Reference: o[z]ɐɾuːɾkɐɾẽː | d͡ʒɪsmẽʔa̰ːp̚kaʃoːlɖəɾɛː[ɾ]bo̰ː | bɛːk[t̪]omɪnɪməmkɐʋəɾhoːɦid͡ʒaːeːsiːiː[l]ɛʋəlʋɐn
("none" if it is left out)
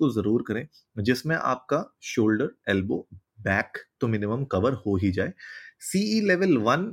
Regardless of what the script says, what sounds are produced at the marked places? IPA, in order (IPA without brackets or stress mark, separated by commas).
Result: z, l, t̪, l